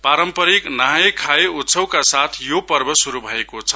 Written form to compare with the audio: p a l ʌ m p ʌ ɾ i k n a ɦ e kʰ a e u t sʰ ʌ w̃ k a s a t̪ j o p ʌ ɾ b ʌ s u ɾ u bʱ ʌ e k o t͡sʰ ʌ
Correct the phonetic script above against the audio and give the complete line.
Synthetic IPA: p a ɾ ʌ m p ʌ ɾ i k n a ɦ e kʰ a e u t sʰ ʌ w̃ k a s a t̪ʰ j o p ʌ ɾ b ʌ s u ɾ u bʱ ʌ e k o t͡sʰ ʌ

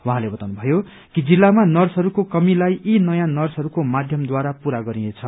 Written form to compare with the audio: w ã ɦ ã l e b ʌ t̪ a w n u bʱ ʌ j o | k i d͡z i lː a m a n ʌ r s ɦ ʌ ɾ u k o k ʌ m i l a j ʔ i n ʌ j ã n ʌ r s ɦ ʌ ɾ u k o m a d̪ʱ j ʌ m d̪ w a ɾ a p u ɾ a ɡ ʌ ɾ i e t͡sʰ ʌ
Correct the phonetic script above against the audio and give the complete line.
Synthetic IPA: w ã ɦ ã l e b ʌ t̪ a w n u bʱ ʌ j o | k i d͡z i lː a m a n ʌ r s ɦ ʌ ɾ u k o k ʌ m i l a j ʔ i n ʌ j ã n ʌ r s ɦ ʌ ɾ u k o m a d̪ʱ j ʌ m d̪ w a ɾ a p u ɾ a ɡ ʌ ɾ i e t͡sʰ ʌ

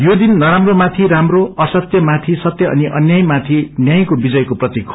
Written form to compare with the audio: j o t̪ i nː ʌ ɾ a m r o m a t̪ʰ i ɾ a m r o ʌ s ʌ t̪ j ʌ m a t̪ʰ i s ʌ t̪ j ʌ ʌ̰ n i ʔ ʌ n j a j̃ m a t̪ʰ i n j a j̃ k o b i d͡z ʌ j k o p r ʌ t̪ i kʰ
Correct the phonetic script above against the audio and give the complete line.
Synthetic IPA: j o d̪ i nː ʌ ɾ a m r o m a t̪ʰ i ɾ a m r o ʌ s ʌ t̪ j ʌ m a t̪ʰ i s ʌ t̪ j ʌ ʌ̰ n i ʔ ʌ n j a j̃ m a t̪ʰ i n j a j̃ k o b i d͡z ʌ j k o p r ʌ t̪ i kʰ

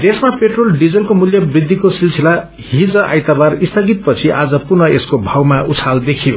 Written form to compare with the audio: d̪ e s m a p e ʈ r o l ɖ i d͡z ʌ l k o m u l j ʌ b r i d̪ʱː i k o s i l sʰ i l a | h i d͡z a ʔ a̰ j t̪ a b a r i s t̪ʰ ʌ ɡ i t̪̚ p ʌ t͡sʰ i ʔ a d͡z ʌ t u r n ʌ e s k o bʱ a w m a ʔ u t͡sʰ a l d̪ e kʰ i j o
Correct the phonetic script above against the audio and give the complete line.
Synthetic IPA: d̪ e s m a p e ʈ r o l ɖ i d͡z ʌ l k o m u l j ʌ b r i d̪ʱː i k o s i l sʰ i l a | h i d͡z ʌ ʔ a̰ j t̪ a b a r i s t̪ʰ ʌ ɡ i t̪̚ p ʌ t͡sʰ i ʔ a d͡z ʌ p u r n ʌ e s k o bʱ a w m a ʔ u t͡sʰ a l d̪ e kʰ i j o

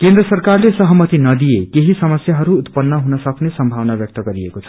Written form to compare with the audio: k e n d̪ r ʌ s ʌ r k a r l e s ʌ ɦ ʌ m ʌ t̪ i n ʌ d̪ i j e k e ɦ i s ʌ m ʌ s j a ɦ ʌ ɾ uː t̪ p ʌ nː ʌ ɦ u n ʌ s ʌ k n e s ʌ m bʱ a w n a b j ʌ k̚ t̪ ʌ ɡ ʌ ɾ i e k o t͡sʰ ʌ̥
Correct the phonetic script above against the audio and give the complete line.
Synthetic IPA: k e n d̪ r ʌ s ʌ r k a r l e s ʌ ɦ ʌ m ʌ t̪ i n ʌ d̪ i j e k e ɦ i s ʌ m ʌ s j a ɦ ʌ ɾ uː t̪ p ʌ nː ʌ ɦ u n ʌ s ʌ k n e s ʌ m bʱ a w n a b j ʌ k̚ t̪ ʌ ɡ ʌ ɾ i e k o t͡sʰ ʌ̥

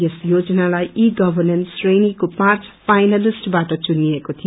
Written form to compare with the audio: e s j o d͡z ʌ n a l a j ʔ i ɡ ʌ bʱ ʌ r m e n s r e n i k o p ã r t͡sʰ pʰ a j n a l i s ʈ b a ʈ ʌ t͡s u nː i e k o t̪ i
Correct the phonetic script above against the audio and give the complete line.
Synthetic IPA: e s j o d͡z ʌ n a l a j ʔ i ɡ ʌ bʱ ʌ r n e n s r e n i k o p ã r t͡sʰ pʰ a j n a l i s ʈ b a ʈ ʌ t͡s u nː i e k o t̪ʰ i

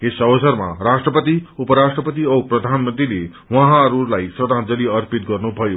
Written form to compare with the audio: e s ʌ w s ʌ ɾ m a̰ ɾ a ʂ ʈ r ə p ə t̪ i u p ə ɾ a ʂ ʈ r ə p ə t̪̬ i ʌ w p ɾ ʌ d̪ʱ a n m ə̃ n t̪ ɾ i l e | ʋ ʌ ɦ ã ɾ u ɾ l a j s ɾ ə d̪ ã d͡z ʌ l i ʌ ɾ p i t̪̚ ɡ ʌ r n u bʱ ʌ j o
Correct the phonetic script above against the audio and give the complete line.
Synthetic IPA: e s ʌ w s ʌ ɾ m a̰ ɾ a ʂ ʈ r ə p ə t̪ i u p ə ɾ a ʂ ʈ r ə p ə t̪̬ i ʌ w p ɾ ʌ d̪ʱ a n m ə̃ n t̪ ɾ i l e | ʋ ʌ ɦ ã ɾ u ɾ l a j s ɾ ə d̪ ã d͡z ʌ l i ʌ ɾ p i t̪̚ ɡ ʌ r n u bʱ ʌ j o

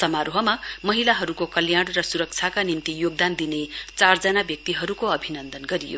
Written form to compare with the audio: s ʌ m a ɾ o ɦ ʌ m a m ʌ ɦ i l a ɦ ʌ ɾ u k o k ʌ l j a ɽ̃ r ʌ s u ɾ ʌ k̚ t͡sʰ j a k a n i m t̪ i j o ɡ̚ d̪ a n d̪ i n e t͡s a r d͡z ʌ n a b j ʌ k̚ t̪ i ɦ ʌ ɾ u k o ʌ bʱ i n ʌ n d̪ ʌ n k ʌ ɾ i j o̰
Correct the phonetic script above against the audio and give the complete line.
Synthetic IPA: s ʌ m a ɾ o ɦ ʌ m a m ʌ ɦ i l a ɦ ʌ ɾ u k o k ʌ l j a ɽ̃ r ʌ s u ɾ ʌ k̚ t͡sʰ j a k a n i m t̪ i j o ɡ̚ d̪ a n d̪ i n e t͡s a r d͡z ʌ n a b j ʌ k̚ t̪ i ɦ ʌ ɾ u k o ʌ bʱ i n ʌ n d̪ ʌ n ɡ ʌ ɾ i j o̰

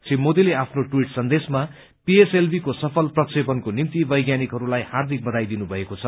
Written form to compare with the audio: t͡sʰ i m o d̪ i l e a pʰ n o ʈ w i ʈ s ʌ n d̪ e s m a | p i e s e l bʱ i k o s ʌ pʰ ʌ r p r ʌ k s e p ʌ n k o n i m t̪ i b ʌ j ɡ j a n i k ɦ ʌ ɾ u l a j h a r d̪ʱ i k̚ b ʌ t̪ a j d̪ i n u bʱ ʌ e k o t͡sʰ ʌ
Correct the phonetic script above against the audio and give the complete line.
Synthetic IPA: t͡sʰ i m o d̪ i l e a pʰ n o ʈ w i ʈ s ʌ n d̪ e s m a | p i e s e l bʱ i k o s ʌ pʰ ʌ l p r ʌ k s e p ʌ n k o n i m t̪ i b ʌ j ɡ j a n i k ɦ ʌ ɾ u l a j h a r d̪ʱ i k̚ b ʌ d̪ a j d̪ i n u bʱ ʌ e k o t͡sʰ ʌ

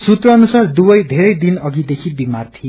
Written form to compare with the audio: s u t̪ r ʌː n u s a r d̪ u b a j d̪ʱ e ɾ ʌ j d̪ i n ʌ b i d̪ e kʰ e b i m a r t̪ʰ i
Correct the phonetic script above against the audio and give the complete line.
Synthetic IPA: s u t̪ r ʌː n u s a r d̪ u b ʌ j d̪ʱ e ɾ ʌ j d̪ i n ʌ ɡ i d̪ e kʰ i b i m a r t̪ʰ i

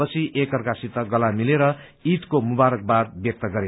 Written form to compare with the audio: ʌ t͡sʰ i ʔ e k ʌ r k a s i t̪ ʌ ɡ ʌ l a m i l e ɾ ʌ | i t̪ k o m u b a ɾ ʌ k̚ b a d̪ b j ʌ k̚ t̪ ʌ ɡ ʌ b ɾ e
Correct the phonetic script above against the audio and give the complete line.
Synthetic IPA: ʌ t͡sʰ i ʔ e k ʌ r k a s i t̪ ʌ ɡ ʌ l a m i l e ɾ ʌ | i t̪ k o m u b a ɾ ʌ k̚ b a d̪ b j ʌ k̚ t̪ ʌ ɡ ʌ ɾ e

